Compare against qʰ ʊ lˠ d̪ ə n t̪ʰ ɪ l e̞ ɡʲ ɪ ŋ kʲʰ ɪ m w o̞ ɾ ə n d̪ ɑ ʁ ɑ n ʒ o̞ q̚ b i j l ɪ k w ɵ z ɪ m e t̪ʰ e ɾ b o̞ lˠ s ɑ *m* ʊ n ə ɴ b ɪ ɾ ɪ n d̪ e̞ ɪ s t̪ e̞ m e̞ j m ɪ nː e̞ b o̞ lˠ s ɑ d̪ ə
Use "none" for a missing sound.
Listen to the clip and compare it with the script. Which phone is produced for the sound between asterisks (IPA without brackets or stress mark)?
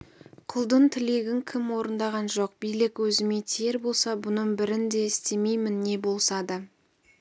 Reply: b